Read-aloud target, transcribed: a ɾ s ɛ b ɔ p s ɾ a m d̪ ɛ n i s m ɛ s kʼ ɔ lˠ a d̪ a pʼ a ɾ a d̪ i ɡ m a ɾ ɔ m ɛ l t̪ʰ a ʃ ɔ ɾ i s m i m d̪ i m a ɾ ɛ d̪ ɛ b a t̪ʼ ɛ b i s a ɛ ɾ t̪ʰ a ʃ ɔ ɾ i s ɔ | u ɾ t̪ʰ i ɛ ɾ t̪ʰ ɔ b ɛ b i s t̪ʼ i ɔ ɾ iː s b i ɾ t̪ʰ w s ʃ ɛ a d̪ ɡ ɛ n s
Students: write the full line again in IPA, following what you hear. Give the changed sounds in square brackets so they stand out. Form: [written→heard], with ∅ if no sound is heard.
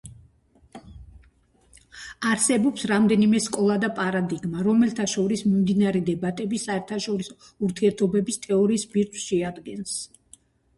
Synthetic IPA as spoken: a ɾ s ɛ b ɔ p s ɾ a m d̪ ɛ n i [s→∅] m ɛ s kʼ ɔ lˠ a d̪ a pʼ a ɾ a d̪ i ɡ m a ɾ ɔ m ɛ l t̪ʰ a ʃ ɔ ɾ i s m i m d̪ i [m→n] a ɾ ɛ d̪ ɛ b a t̪ʼ ɛ b i s a ɛ ɾ t̪ʰ a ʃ ɔ ɾ i s ɔ | u ɾ t̪ʰ i ɛ ɾ t̪ʰ ɔ b ɛ b i s t̪ʼ [i→ɛ] ɔ ɾ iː s b i ɾ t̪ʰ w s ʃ ɛ a d̪ ɡ ɛ n s